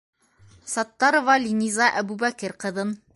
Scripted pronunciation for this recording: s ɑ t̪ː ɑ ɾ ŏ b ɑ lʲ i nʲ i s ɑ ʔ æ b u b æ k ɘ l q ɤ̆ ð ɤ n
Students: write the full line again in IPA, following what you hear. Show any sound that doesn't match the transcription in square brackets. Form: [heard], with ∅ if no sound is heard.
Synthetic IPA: s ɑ t̪ː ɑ ɾ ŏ [v] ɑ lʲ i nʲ i [z] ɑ ʔ æ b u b æ k ɘ [ɾ] q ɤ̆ ð ɤ n